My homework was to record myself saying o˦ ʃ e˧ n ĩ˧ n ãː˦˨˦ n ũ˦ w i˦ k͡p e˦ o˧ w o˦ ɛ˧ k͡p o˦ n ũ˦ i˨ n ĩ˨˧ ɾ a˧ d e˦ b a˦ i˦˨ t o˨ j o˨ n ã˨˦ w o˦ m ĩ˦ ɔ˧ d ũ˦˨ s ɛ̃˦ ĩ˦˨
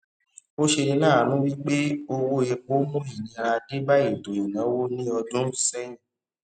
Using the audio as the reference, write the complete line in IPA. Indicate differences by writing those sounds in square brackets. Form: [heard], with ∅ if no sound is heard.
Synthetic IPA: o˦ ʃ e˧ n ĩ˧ n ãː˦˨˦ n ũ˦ w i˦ k͡p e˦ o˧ w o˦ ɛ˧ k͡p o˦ [m] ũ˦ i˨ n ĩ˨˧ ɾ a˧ d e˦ b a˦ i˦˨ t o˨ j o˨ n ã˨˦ w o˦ [n] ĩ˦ ɔ˧ d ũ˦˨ s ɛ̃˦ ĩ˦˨